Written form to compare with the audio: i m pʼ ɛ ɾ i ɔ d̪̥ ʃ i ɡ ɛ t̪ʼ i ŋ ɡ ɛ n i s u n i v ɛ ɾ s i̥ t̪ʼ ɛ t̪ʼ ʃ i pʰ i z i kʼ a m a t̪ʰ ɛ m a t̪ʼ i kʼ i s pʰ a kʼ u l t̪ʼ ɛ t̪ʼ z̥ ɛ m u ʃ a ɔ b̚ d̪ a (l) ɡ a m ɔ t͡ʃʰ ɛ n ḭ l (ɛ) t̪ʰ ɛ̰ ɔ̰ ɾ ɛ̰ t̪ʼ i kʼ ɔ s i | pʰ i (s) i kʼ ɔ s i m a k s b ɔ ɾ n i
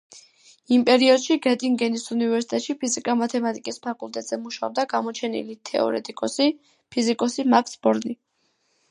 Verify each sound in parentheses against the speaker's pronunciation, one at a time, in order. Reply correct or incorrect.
incorrect: none, incorrect: i, incorrect: z

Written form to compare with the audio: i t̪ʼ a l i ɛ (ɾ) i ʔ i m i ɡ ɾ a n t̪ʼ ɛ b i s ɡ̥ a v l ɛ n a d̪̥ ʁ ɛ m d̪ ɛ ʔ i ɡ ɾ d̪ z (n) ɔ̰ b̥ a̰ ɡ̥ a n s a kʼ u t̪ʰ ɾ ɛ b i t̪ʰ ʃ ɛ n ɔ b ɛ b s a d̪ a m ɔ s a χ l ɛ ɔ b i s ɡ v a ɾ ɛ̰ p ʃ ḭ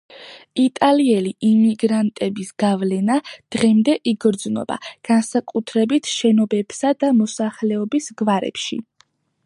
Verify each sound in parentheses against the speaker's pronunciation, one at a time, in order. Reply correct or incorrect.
incorrect: l, correct

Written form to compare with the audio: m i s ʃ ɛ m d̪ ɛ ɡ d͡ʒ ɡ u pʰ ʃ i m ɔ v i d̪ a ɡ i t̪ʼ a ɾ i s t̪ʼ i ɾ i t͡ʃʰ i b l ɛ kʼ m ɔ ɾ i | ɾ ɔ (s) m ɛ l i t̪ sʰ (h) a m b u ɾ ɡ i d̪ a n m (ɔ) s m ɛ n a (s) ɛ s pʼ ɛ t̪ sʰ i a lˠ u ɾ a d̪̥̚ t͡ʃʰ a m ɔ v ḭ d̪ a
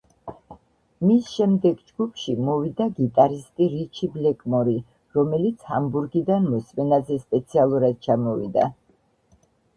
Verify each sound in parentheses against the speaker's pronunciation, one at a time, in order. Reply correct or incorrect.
incorrect: none, correct, correct, incorrect: z

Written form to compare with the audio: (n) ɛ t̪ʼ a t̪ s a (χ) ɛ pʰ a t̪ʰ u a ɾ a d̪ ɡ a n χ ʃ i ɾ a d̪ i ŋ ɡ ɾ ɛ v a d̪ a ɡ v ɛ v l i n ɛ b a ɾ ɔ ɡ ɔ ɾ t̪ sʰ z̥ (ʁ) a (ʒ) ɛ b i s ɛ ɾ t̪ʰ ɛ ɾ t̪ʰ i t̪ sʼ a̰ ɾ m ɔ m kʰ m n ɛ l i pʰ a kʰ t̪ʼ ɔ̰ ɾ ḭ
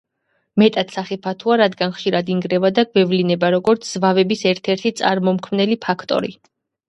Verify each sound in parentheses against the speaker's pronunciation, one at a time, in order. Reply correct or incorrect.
incorrect: m, correct, incorrect: v, incorrect: v

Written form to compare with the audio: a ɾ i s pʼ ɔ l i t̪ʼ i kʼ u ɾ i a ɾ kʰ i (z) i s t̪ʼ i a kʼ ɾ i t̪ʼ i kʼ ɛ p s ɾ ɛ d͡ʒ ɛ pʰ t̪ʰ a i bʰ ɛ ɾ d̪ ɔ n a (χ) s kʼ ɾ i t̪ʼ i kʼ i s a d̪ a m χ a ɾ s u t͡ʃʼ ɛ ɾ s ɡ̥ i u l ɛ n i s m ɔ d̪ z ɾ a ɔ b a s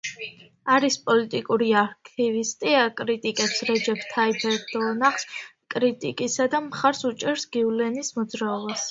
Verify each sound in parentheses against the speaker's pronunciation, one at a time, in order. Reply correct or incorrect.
incorrect: v, correct

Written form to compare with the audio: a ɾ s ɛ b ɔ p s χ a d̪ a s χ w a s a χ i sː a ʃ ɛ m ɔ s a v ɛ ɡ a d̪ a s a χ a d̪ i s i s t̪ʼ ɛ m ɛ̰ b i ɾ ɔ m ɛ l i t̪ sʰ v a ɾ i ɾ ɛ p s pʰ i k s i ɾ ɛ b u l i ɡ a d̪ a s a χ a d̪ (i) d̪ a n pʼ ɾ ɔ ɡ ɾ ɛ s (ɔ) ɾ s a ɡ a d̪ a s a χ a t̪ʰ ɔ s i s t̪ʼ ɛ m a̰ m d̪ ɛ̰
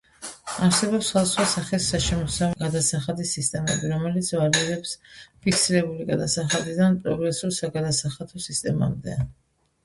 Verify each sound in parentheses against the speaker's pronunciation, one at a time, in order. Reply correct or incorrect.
correct, incorrect: u

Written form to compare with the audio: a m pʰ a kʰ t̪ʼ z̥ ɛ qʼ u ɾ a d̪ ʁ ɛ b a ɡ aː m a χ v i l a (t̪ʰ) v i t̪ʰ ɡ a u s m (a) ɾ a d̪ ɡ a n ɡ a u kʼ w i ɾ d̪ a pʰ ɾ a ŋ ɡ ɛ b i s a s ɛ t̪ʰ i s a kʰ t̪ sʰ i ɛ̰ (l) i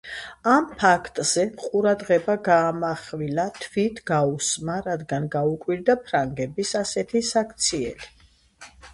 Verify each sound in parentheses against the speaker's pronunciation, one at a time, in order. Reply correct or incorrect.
correct, correct, correct

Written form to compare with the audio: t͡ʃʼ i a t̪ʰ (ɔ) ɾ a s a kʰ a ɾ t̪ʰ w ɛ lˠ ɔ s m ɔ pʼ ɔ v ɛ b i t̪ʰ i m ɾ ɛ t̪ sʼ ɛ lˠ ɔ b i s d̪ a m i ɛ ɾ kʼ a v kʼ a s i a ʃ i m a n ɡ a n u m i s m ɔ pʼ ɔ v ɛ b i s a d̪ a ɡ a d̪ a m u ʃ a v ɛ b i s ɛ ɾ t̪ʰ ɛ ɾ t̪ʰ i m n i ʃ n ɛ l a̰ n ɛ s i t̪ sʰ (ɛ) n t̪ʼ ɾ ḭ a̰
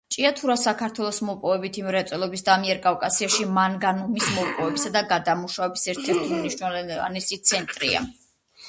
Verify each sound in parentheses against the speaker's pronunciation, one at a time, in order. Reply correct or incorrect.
incorrect: u, correct

